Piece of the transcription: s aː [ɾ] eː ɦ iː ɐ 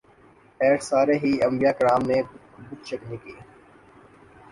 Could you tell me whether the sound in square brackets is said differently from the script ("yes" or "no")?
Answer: no